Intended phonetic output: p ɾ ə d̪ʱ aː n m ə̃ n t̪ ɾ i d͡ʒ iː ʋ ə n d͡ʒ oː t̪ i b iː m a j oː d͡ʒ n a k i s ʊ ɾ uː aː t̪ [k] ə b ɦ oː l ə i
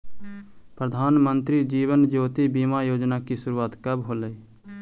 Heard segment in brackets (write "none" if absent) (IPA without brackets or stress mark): k